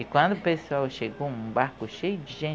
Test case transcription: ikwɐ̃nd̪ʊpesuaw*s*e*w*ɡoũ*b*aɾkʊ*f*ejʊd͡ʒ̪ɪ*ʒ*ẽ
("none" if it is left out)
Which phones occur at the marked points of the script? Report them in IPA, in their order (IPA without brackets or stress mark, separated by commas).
ʃ, none, b, ʃ, ʒ